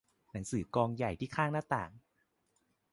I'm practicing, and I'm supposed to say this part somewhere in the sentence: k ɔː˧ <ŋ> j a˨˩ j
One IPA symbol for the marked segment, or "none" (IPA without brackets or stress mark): ŋ